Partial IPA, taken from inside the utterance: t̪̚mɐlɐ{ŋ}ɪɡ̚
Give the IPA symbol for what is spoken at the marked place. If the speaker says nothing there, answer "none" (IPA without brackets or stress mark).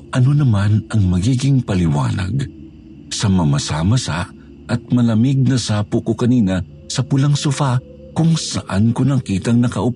m